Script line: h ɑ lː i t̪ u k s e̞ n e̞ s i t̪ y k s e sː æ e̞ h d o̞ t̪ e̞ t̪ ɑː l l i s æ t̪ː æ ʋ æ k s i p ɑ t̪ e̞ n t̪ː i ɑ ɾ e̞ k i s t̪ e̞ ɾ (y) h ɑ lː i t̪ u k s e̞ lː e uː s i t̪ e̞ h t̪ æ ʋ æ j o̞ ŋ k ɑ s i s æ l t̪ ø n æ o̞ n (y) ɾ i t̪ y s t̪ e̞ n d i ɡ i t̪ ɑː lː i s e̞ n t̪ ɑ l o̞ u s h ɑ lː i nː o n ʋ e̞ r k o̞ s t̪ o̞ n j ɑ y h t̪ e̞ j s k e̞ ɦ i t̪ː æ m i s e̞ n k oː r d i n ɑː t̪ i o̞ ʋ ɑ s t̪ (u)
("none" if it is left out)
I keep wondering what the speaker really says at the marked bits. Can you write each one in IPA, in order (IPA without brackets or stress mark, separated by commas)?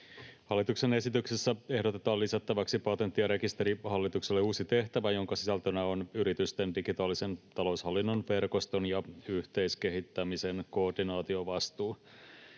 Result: i, y, uː